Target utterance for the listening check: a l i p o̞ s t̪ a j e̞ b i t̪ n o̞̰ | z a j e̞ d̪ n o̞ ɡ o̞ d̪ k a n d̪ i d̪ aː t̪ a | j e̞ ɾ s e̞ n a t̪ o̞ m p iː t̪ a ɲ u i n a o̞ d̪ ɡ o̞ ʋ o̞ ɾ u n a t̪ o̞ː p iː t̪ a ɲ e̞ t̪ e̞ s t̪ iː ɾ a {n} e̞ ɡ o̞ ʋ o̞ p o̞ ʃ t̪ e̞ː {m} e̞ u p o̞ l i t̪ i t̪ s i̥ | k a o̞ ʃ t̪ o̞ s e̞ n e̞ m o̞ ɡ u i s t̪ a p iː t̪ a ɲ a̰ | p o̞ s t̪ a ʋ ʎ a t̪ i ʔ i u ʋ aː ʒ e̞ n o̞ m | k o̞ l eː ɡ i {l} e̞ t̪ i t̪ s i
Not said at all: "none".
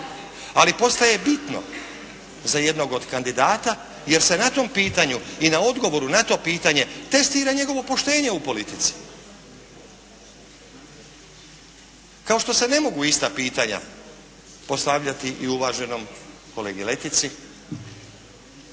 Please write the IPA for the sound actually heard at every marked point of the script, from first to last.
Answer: ɲ, ɲ, l

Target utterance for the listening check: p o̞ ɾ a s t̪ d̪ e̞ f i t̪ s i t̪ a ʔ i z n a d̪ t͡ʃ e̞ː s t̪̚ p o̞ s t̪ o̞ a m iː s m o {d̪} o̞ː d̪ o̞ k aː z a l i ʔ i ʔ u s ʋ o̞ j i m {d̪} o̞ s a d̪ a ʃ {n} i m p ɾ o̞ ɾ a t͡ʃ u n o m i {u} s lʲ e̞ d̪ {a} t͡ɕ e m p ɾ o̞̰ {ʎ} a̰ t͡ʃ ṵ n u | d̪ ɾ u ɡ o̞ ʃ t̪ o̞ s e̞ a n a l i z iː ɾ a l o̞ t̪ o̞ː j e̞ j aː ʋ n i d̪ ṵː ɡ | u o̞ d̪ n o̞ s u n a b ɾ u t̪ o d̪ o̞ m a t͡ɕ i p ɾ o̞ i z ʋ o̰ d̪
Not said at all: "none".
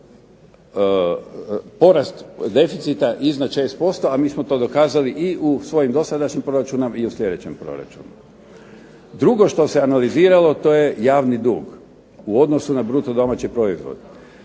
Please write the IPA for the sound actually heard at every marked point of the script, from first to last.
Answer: t̪, d̪, ɲ, u, e, ɾ

